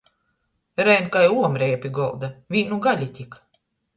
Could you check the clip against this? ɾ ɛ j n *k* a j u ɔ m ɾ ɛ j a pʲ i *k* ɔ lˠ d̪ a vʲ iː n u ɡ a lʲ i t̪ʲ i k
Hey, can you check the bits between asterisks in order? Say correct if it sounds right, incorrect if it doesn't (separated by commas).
correct, incorrect